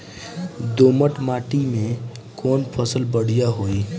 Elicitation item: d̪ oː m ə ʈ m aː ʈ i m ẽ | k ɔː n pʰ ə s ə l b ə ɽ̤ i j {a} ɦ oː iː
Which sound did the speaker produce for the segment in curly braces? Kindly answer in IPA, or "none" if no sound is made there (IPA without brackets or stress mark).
a